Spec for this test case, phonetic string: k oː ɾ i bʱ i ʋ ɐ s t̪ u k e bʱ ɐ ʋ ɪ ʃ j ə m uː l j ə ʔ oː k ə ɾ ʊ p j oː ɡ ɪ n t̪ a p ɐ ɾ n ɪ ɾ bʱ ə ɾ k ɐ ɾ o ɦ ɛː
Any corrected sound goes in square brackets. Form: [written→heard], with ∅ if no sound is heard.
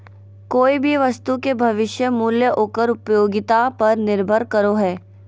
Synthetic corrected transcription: k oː [ɾ→∅] i bʱ i ʋ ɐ s t̪ u k e bʱ ɐ ʋ ɪ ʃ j ə m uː l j ə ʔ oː k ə ɾ ʊ p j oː ɡ ɪ [n→∅] t̪ a p ɐ ɾ n ɪ ɾ bʱ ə ɾ k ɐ ɾ o ɦ ɛː